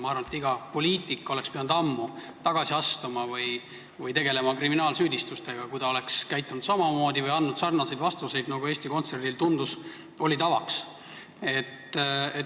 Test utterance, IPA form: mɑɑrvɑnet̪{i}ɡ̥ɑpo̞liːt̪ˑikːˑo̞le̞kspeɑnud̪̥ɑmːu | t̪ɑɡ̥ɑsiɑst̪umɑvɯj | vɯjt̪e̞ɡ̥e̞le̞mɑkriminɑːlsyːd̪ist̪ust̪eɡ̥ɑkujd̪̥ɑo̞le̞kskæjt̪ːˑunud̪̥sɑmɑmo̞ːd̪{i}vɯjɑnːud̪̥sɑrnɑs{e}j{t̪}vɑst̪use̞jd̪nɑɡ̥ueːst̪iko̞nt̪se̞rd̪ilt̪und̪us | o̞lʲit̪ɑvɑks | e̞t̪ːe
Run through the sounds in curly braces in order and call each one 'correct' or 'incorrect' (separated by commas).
correct, correct, correct, incorrect